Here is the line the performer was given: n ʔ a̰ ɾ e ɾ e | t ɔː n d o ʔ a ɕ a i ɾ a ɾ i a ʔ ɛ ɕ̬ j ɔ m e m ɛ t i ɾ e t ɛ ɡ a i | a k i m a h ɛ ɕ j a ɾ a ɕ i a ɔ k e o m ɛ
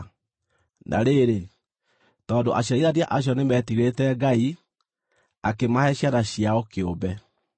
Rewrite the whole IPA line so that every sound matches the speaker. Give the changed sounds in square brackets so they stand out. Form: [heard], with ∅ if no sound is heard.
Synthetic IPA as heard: n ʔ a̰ ɾ e ɾ e | t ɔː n d o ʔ a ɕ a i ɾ a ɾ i a ʔ [a] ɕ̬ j ɔ [n] e m ɛ t i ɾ e t ɛ ɡ a i | a k [e] m a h ɛ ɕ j a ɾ a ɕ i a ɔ k e o [b] ɛ